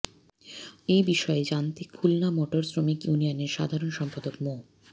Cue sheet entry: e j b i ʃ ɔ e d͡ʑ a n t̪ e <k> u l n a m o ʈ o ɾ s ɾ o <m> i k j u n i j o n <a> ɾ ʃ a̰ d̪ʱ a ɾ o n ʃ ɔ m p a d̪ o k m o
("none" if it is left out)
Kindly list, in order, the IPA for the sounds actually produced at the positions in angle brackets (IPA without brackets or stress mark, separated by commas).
kʰ, m, e